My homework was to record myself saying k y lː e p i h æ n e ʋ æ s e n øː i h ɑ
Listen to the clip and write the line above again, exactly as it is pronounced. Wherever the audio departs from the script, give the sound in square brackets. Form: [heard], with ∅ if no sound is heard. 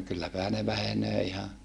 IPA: k y lː [æ] p [æ] h æ n e ʋ æ [h] e n øː i h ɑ

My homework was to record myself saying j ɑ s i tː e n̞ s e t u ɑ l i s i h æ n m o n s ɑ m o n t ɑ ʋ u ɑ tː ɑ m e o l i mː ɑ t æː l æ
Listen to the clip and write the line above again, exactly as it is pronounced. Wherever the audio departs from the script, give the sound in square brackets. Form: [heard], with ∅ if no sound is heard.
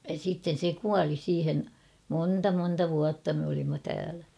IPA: j ɑ s i tː e n̞ s e [k] u ɑ l i s [iː] h [e] n m o n [t] ɑ m o n t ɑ ʋ u ɑ tː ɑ m e o l i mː ɑ t æː l æ

